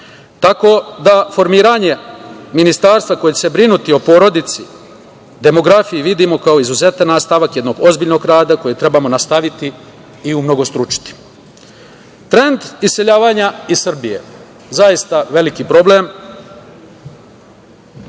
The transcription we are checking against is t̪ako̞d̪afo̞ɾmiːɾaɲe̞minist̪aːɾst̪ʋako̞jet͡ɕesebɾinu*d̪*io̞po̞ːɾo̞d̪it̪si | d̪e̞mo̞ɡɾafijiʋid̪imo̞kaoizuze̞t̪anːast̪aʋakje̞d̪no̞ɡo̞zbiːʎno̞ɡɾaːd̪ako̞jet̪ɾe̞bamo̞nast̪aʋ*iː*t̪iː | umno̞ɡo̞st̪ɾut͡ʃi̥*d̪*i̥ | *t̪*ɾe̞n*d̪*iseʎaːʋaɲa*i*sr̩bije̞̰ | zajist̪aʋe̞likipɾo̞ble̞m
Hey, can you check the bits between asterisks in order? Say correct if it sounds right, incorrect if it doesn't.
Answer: incorrect, incorrect, incorrect, correct, correct, correct

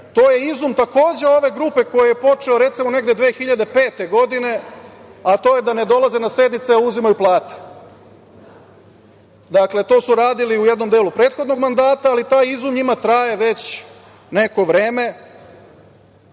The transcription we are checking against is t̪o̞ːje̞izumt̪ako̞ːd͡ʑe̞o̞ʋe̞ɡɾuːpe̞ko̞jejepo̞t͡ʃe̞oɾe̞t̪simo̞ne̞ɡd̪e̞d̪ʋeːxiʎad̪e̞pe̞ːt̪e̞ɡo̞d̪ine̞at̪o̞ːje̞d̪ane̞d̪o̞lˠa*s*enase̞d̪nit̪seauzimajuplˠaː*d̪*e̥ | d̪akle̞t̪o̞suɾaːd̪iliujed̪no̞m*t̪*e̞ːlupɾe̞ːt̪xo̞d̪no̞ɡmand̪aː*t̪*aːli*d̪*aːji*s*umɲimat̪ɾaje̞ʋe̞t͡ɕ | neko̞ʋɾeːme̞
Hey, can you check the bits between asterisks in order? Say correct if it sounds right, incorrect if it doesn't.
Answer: incorrect, incorrect, incorrect, correct, incorrect, incorrect

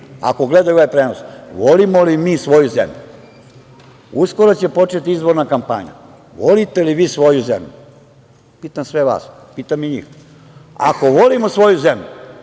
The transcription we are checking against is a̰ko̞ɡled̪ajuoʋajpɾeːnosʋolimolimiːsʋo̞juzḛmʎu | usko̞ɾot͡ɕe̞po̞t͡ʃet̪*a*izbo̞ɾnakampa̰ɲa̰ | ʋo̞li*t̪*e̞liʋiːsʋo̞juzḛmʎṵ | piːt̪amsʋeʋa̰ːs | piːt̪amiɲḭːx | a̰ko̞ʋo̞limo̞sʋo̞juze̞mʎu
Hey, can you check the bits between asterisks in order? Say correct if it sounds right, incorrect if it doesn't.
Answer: incorrect, correct

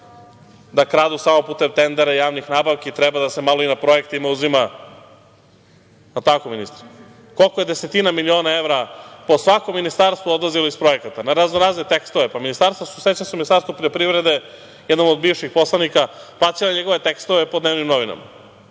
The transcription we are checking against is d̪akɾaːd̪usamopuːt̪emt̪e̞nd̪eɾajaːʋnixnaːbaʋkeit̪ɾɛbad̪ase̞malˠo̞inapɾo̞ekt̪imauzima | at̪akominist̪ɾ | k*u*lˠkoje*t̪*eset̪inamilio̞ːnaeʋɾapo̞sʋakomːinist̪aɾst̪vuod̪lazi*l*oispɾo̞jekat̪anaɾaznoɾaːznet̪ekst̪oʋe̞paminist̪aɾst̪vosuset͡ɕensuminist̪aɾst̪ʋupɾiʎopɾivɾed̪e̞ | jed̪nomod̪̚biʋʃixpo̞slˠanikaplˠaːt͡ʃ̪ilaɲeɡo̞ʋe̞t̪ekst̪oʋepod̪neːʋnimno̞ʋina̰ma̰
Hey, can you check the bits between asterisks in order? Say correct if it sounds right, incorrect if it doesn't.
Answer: incorrect, incorrect, correct

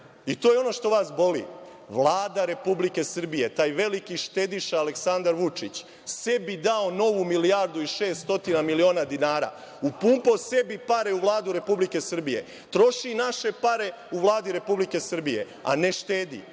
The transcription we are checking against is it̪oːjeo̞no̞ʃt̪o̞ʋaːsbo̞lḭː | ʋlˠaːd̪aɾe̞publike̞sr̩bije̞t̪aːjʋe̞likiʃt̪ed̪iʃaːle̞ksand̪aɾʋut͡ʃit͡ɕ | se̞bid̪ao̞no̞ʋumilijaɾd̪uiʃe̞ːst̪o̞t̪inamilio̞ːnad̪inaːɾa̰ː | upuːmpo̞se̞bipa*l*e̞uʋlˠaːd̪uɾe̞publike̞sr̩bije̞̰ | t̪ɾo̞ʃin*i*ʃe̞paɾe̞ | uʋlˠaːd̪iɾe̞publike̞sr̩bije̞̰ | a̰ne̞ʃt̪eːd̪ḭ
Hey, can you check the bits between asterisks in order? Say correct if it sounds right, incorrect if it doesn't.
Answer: incorrect, incorrect

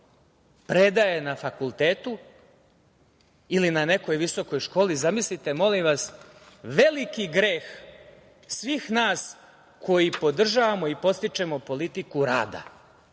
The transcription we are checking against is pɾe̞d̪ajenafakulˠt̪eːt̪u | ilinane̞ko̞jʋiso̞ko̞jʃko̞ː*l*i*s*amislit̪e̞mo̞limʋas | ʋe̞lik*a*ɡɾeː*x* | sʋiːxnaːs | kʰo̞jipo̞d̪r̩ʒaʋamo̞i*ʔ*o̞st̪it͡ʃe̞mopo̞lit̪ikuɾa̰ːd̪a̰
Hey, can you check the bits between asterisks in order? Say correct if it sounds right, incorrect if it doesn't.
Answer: correct, incorrect, incorrect, correct, incorrect

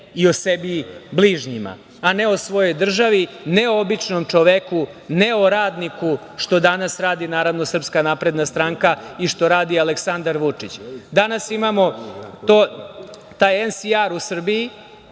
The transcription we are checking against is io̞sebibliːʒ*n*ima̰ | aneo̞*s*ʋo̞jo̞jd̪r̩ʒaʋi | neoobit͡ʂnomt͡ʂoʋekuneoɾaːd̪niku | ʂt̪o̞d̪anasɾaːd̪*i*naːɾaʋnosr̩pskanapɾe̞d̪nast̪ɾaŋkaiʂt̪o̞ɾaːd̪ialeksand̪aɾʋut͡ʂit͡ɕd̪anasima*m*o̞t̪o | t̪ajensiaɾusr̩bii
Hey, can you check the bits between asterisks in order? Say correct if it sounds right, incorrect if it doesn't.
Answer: incorrect, correct, correct, correct

